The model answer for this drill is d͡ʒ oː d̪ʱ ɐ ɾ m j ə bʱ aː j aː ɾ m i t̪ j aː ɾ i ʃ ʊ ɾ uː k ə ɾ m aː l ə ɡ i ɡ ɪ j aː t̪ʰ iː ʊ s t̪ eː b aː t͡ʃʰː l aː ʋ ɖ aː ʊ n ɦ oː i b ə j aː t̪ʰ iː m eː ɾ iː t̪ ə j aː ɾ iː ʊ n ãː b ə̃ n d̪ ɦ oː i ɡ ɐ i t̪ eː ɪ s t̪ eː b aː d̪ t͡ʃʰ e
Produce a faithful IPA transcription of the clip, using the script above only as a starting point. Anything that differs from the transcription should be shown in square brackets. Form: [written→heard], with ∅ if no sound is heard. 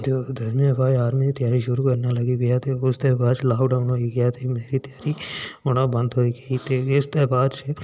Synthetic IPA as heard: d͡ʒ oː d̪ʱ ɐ ɾ m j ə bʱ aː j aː ɾ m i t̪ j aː ɾ i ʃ ʊ ɾ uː k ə ɾ [m→n] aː l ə ɡ i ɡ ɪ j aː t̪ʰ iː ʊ s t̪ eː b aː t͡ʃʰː l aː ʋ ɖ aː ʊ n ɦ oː i [b→ɡ] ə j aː t̪ʰ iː m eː ɾ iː t̪ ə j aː ɾ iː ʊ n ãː b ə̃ n d̪ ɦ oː i ɡ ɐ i t̪ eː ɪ s t̪ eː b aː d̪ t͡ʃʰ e